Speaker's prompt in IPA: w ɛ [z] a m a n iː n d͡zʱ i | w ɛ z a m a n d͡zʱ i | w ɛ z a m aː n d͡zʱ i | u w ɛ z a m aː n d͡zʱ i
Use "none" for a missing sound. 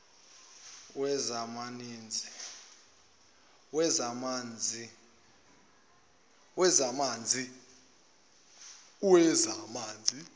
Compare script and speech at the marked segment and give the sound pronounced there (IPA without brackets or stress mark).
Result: z